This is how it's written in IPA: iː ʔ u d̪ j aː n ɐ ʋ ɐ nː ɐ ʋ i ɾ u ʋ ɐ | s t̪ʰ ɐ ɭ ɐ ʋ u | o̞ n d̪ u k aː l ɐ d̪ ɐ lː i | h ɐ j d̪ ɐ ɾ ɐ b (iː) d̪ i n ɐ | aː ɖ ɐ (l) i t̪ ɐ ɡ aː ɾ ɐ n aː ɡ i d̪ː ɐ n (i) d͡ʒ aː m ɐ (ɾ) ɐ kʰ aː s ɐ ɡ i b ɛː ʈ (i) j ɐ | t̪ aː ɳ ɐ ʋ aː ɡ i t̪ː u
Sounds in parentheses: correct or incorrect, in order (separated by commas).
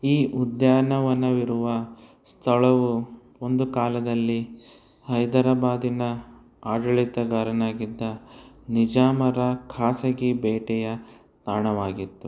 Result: incorrect, incorrect, correct, correct, incorrect